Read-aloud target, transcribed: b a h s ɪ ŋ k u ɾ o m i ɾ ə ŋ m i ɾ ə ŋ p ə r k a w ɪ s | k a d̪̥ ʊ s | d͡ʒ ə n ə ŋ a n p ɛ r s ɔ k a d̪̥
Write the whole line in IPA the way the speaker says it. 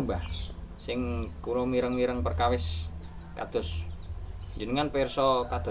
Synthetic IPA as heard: b a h s ɪ ŋ k u ɾ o m i ɾ ə ŋ m i ɾ ə ŋ p ə r k a w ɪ s | k a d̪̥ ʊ s | d͡ʒ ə n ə ŋ a n p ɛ r s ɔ k a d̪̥